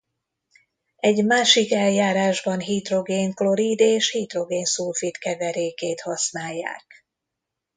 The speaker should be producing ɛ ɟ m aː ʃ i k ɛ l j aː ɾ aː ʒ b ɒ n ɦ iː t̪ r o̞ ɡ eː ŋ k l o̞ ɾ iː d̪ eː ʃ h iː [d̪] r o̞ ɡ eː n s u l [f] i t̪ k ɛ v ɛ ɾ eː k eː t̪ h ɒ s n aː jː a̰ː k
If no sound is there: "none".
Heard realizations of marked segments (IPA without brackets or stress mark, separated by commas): t̪, f